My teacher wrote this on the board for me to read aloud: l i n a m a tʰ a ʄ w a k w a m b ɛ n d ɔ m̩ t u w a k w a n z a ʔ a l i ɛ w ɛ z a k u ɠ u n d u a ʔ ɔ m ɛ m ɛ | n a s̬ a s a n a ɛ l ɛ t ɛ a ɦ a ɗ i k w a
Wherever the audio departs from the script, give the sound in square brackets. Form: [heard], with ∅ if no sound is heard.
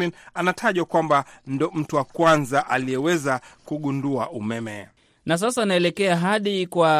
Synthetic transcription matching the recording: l i n a [n] a tʰ a ʄ w a k w a m b [a] n d ɔ m̩ t u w a k w a n z a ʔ a l i ɛ w ɛ z a k u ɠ u n d u a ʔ [u] m ɛ m ɛ | n a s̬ a s a n a ɛ l ɛ [k] ɛ a ɦ a ɗ i k w a